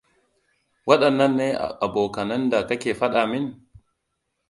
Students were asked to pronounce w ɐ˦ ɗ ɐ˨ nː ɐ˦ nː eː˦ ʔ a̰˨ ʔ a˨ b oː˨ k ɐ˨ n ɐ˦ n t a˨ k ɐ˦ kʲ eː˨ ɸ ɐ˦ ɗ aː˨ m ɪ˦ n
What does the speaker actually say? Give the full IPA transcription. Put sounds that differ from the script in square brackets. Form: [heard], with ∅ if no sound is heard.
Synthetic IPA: w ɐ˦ ɗ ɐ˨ nː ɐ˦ nː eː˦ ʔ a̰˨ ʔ a˨ b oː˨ k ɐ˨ n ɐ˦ n [d] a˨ k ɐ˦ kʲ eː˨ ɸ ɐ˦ ɗ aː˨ m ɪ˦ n